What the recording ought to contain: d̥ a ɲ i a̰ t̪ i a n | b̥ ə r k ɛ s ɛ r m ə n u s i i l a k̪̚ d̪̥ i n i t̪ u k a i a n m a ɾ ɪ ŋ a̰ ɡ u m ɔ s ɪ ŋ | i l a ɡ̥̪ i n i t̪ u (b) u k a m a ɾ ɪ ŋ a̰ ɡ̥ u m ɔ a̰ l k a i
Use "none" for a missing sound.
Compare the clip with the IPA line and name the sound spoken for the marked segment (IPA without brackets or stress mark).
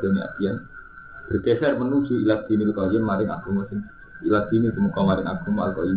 m